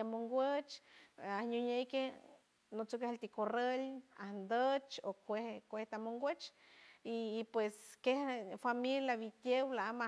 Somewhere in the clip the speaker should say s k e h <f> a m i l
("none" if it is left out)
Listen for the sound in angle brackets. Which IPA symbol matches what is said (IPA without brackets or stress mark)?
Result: f